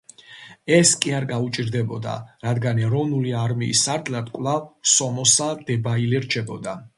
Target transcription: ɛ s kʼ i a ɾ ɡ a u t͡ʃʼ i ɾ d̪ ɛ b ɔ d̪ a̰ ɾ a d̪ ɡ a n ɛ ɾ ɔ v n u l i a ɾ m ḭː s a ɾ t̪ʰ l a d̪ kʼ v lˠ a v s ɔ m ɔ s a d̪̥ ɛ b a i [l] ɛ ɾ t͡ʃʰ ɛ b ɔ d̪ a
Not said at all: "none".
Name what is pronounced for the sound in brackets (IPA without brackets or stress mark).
l